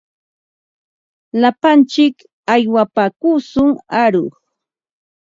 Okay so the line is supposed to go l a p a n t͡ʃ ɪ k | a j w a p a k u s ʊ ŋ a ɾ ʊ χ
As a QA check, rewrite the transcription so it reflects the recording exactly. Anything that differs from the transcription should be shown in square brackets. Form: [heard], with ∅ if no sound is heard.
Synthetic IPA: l a p a n t͡ʃ ɪ k | a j w a p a k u s ʊ ŋ a ɾ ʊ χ